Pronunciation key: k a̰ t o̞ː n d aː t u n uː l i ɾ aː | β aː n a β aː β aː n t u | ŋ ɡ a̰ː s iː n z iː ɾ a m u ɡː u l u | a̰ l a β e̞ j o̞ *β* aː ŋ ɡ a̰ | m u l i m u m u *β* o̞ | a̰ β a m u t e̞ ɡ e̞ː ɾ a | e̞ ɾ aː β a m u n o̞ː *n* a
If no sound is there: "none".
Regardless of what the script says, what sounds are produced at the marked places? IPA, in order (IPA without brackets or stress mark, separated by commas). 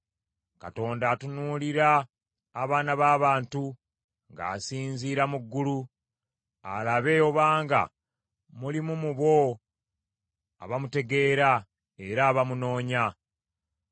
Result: β, β, ɲ